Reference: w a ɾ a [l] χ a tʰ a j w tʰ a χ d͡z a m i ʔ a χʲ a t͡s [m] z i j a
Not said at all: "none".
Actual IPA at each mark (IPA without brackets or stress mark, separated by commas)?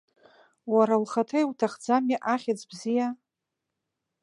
l, b